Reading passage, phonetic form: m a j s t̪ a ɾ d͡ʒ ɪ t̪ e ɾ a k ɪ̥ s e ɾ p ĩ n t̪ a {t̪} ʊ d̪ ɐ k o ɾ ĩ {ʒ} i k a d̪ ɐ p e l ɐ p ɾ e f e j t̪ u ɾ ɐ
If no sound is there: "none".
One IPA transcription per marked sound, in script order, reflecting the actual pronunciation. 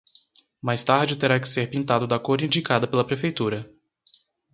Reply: d̪, d͡ʒ

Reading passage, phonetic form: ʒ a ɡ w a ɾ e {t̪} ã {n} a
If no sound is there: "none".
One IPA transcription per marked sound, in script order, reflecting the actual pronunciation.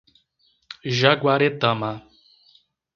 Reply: t̪, m

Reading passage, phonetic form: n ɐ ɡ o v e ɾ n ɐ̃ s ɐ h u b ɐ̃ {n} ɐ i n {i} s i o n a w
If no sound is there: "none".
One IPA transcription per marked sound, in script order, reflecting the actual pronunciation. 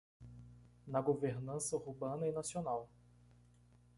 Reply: n, a

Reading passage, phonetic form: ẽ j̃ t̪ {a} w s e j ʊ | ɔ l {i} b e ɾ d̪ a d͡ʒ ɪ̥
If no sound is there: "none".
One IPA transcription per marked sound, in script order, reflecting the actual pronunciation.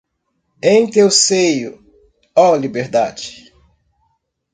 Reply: e, i

